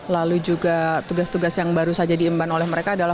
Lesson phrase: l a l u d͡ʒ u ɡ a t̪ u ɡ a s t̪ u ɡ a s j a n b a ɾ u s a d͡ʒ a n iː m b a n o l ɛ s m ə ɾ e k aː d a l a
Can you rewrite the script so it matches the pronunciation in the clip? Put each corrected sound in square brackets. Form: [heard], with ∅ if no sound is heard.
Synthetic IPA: l a l u d͡ʒ u ɡ a t̪ u ɡ a s t̪ u ɡ a s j a [ŋ] b a ɾ u s a d͡ʒ a [d] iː m b a n o l ɛ [h] m ə ɾ e k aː d a l a